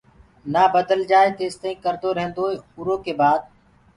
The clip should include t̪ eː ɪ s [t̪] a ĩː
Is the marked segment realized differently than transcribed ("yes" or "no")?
no